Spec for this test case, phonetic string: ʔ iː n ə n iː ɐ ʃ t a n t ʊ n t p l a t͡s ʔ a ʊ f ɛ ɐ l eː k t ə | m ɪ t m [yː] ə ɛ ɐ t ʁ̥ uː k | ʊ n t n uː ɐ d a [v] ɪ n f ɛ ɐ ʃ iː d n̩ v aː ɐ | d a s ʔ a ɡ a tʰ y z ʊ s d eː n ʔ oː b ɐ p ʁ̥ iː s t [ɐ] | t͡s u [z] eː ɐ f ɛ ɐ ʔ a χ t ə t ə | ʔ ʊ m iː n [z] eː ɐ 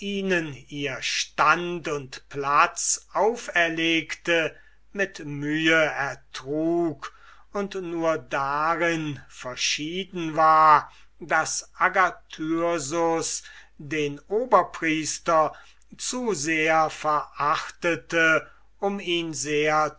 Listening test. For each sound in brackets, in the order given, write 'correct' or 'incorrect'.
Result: correct, incorrect, correct, correct, correct

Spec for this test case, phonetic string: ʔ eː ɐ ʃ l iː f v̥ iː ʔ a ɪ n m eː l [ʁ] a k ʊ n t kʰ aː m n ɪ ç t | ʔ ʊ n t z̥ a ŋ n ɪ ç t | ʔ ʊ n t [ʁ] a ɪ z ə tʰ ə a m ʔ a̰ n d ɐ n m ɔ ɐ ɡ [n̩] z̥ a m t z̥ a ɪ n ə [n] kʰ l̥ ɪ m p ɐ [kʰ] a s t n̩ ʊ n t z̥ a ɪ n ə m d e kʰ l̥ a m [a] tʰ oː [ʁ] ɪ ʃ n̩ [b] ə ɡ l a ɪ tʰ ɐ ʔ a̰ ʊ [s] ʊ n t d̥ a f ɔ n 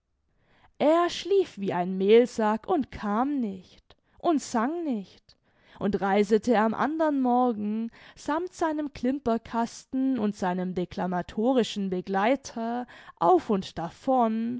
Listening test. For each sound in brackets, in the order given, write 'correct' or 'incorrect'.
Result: incorrect, correct, incorrect, incorrect, correct, correct, correct, correct, incorrect

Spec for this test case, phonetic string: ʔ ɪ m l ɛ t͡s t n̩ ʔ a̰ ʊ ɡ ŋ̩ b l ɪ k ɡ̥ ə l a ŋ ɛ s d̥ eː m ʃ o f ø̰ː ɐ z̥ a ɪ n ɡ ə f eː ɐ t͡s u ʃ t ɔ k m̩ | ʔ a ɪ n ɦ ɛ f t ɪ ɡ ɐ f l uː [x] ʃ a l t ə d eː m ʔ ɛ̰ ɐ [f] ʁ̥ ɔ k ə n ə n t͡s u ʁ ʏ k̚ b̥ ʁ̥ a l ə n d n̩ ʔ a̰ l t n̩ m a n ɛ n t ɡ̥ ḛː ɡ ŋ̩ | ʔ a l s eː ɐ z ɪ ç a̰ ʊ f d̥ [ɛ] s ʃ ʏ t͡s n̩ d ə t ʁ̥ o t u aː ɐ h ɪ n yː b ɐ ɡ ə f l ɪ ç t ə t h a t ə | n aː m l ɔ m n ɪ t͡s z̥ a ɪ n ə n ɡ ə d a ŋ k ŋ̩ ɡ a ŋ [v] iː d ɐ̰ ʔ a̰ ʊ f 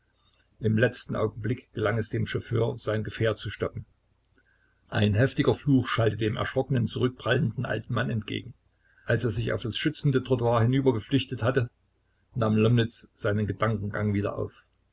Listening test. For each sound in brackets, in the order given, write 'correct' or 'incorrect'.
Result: correct, incorrect, incorrect, correct

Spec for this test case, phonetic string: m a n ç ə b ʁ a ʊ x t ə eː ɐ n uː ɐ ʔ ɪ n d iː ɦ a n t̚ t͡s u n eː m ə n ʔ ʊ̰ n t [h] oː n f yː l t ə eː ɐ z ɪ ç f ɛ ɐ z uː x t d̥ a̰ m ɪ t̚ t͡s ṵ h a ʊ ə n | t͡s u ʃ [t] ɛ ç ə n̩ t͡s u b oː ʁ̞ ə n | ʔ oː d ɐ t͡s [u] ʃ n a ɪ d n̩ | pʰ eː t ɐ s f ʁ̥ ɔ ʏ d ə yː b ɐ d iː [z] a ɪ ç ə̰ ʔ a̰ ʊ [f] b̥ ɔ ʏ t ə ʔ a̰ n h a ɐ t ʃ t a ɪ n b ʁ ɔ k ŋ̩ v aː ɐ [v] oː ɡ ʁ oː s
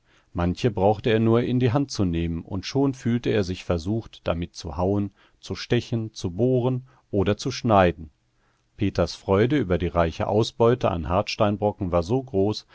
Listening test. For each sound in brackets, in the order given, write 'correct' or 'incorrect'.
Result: incorrect, correct, correct, incorrect, incorrect, incorrect

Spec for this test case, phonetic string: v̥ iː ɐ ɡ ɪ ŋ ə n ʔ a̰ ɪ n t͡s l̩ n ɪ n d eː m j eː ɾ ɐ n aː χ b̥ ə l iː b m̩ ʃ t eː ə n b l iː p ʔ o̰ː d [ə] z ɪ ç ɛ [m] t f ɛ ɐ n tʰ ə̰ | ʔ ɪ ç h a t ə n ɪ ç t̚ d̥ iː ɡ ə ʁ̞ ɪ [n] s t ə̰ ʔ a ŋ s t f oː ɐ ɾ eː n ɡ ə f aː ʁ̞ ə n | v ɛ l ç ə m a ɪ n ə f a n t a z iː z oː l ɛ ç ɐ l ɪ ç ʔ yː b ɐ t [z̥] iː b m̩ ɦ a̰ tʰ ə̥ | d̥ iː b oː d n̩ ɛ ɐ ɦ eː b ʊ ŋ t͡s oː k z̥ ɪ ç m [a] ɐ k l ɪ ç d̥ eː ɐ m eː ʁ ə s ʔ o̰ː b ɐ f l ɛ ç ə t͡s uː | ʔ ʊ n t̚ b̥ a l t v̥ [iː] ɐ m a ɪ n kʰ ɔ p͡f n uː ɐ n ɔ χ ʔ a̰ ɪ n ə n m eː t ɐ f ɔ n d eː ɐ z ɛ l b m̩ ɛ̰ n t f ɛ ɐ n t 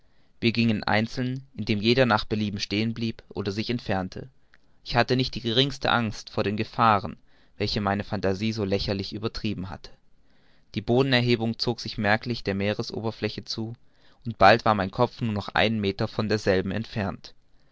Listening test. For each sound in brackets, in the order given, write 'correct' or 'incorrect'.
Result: incorrect, incorrect, incorrect, incorrect, incorrect, incorrect

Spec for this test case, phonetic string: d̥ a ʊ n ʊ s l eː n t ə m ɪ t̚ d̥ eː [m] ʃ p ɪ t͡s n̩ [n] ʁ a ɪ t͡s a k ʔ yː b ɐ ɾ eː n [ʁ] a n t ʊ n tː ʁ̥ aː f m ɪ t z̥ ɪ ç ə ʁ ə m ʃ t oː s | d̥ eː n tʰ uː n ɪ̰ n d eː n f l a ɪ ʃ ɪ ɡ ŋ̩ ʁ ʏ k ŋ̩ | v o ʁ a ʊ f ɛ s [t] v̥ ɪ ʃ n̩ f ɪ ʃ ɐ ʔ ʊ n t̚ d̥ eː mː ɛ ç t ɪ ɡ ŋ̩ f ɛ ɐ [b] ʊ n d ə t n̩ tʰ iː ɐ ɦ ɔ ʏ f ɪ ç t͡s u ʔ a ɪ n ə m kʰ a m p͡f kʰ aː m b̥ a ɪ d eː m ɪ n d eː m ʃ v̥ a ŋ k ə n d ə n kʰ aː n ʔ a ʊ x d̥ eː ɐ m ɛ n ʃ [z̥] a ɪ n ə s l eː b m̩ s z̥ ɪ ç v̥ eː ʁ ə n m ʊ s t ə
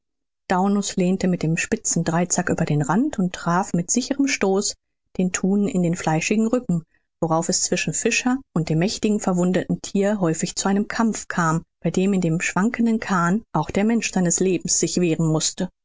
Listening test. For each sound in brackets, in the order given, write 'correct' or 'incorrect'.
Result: correct, incorrect, correct, incorrect, incorrect, correct

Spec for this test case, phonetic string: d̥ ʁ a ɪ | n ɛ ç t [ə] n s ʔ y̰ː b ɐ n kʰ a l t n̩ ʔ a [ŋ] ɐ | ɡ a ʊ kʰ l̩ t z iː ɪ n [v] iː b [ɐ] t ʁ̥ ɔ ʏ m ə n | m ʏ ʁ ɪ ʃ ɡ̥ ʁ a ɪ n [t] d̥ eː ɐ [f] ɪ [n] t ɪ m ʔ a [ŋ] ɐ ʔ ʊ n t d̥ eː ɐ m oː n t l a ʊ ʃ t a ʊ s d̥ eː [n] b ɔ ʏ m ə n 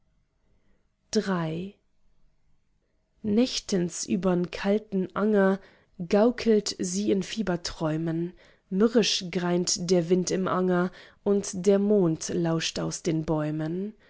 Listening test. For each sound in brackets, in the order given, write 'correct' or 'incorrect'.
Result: correct, correct, incorrect, correct, correct, incorrect, correct, correct, correct

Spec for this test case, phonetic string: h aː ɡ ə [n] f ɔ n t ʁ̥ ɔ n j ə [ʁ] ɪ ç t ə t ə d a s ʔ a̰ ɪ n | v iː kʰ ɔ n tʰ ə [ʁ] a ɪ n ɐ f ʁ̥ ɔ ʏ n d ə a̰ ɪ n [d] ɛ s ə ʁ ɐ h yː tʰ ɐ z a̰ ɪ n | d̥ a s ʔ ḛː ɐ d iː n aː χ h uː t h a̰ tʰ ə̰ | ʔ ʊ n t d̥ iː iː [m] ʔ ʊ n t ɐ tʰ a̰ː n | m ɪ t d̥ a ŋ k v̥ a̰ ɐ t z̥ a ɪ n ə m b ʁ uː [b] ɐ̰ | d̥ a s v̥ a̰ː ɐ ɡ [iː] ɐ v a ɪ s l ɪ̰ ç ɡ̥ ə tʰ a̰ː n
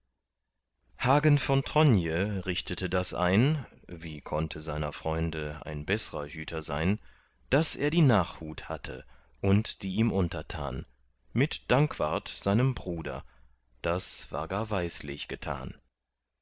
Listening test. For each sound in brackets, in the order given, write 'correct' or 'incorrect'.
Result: correct, correct, incorrect, incorrect, correct, incorrect, incorrect

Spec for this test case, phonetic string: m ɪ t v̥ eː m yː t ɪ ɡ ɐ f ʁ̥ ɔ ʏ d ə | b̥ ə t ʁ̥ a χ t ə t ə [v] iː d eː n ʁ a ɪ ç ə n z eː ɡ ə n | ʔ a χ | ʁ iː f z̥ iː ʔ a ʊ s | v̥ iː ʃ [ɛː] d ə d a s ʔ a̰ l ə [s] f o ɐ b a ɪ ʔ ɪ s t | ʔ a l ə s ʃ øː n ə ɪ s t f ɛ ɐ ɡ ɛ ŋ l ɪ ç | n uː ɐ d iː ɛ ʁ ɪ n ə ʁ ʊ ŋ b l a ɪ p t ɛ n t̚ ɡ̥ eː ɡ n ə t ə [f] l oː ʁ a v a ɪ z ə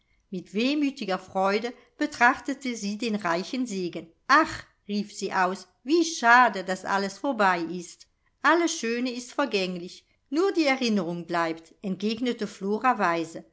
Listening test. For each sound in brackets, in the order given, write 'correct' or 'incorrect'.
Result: incorrect, incorrect, correct, correct

